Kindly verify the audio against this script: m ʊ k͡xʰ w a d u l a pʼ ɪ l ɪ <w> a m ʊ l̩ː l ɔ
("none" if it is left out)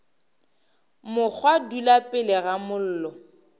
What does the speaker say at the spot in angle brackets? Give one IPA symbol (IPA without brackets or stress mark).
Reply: ɣ